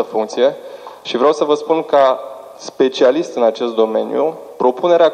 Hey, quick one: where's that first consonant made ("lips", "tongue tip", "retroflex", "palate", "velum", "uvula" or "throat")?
lips